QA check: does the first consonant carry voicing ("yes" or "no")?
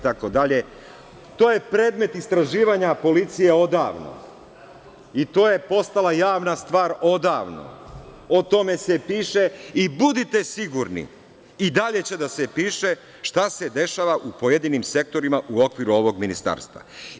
no